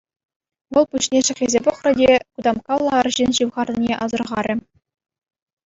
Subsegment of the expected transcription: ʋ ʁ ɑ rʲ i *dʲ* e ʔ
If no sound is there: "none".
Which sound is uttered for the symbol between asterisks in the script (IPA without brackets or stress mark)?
nʲ